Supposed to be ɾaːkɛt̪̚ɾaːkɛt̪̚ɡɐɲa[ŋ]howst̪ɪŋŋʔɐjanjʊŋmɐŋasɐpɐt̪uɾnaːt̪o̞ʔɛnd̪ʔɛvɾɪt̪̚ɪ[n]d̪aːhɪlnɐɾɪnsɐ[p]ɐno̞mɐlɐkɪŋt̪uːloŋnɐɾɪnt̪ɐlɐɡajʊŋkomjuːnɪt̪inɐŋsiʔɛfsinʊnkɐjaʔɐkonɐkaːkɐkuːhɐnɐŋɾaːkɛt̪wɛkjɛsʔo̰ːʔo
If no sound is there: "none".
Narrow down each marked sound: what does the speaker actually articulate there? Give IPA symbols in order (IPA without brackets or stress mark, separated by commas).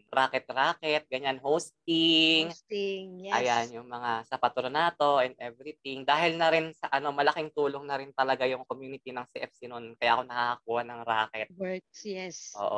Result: n, ŋ, ʔ